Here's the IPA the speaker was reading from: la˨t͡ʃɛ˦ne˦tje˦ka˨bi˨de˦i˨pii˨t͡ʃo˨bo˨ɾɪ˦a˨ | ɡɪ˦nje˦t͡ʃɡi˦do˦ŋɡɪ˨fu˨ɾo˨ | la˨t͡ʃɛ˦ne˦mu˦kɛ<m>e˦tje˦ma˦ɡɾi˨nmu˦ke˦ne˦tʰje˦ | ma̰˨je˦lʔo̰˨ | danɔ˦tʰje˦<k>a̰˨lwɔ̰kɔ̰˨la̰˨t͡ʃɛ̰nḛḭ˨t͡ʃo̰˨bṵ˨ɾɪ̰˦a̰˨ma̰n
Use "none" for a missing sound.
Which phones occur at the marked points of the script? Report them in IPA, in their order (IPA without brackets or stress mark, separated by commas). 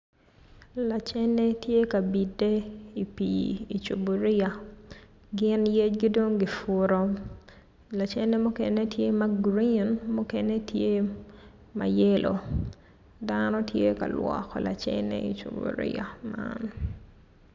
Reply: n, k